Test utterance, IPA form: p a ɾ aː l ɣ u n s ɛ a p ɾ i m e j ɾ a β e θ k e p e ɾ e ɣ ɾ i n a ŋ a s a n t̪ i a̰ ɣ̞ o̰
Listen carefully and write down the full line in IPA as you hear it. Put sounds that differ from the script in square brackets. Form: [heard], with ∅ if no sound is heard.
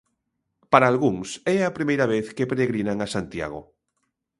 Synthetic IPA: p a ɾ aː l ɣ u [ŋ] s ɛ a p ɾ i m e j ɾ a β e θ k e p e ɾ e ɣ ɾ i n a ŋ a s a n t̪ [j] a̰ ɣ̞ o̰